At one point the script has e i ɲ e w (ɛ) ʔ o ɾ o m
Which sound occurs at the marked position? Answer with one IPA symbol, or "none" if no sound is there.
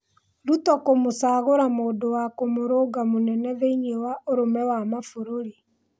a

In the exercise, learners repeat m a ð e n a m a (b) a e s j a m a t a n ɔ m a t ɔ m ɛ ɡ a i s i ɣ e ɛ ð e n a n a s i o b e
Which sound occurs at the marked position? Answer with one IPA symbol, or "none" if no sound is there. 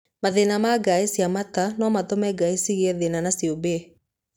ɡ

